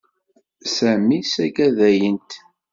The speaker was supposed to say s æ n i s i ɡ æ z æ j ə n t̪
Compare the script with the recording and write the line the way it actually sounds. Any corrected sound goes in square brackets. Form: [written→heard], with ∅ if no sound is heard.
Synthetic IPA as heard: s æ [n→m] i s [i→æ] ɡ æ [z→ð] æ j ə n t̪